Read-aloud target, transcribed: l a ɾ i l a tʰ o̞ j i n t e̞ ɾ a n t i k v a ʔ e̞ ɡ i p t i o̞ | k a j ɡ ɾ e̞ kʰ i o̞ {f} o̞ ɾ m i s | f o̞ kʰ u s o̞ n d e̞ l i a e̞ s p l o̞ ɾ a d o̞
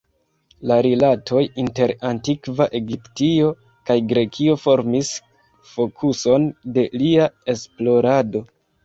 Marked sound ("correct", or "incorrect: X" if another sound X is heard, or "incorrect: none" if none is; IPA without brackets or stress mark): correct